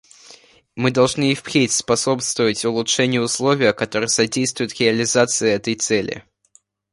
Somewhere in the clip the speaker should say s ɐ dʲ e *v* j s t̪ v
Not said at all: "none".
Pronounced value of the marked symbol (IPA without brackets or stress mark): none